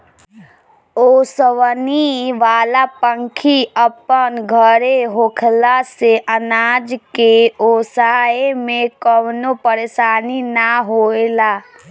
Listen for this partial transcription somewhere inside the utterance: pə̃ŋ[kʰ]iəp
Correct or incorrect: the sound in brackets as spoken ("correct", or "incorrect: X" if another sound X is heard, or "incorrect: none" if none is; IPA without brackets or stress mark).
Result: correct